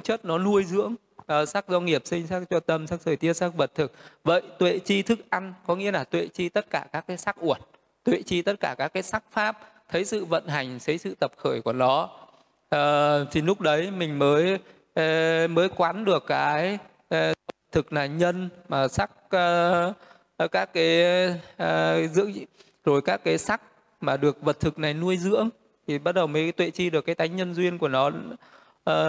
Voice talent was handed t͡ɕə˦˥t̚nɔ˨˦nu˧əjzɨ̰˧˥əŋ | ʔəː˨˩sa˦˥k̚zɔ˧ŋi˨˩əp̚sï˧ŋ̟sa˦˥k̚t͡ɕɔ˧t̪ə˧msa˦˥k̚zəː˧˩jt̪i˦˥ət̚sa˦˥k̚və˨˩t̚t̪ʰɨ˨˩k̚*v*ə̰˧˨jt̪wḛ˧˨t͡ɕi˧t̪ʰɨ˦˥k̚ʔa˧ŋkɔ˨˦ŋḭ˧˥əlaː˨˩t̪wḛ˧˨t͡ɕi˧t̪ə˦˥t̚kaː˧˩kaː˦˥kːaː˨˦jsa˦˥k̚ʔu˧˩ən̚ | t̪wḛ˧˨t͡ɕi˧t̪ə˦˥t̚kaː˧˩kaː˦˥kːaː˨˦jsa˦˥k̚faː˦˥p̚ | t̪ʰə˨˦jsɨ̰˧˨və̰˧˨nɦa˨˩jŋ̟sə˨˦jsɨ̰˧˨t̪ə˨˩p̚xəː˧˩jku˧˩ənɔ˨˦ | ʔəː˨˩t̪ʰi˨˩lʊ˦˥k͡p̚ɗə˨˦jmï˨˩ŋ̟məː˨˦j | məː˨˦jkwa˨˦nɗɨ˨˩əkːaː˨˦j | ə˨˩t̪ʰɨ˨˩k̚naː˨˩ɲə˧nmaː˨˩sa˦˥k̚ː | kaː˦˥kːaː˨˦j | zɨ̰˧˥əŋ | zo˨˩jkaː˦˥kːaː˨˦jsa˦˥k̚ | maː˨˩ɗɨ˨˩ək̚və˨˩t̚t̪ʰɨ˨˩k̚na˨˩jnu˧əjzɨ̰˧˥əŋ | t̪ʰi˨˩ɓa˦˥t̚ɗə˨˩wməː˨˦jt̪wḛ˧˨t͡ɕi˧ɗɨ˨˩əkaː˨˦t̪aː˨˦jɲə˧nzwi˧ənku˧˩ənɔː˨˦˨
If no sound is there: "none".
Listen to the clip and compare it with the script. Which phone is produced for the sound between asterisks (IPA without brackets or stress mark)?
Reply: v